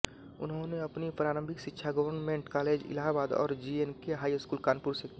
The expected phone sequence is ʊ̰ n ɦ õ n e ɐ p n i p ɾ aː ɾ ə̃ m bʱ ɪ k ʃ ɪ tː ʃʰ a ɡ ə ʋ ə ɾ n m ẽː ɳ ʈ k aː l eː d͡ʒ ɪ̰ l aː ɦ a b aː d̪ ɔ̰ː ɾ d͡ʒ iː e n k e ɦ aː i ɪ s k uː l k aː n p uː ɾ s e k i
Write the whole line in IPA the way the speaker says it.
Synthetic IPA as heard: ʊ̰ n ɦ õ n e ɐ p n i p ɾ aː ɾ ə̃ m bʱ ɪ k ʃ ɪ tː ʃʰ a ɡ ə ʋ ə ɾ n m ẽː ɳ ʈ k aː l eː d͡ʒ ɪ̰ l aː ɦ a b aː d̪ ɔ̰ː ɾ d͡ʒ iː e n k e ɦ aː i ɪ s k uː l k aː n p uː ɾ s e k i